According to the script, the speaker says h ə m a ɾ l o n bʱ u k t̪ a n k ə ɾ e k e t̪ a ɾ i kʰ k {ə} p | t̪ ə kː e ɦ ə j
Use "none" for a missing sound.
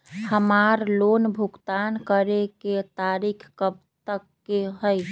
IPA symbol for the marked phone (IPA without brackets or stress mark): ə